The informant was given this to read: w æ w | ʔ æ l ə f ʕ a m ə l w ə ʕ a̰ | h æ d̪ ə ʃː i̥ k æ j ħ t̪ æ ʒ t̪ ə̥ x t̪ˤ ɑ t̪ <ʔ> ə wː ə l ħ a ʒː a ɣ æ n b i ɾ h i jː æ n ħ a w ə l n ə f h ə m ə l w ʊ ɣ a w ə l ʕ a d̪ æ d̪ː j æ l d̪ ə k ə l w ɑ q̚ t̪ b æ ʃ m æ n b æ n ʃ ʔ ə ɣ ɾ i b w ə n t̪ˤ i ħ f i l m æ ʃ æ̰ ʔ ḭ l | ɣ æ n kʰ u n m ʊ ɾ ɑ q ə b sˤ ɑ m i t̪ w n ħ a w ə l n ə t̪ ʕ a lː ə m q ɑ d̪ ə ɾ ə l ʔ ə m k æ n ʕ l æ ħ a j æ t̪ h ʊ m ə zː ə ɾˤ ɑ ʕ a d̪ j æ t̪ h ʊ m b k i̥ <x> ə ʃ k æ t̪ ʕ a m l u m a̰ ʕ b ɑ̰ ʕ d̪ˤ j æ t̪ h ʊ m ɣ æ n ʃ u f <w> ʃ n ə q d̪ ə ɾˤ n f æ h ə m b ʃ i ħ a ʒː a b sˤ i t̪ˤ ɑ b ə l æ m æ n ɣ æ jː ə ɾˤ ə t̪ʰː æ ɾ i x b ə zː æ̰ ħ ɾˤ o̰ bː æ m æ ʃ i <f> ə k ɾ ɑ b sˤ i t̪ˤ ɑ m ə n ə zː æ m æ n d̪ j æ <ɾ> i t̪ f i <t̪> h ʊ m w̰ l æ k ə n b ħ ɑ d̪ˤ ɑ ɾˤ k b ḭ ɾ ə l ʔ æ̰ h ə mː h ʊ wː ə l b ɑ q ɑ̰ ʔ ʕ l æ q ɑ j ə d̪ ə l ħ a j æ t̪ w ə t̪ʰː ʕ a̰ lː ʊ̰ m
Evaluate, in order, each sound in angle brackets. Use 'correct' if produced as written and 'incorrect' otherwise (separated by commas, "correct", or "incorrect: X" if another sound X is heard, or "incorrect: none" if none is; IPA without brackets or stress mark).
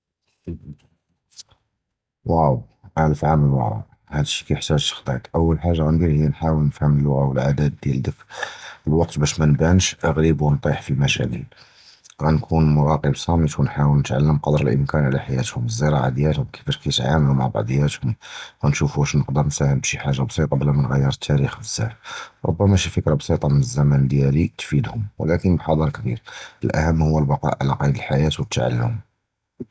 correct, incorrect: f, incorrect: u, correct, incorrect: l, incorrect: d̪